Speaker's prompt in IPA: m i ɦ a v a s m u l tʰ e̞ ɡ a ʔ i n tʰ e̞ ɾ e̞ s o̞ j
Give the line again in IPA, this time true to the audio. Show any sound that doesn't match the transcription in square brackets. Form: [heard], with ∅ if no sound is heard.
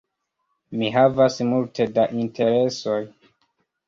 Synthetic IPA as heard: m i ɦ a v a s m u l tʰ e̞ [d] a ʔ i n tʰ e̞ ɾ e̞ s o̞ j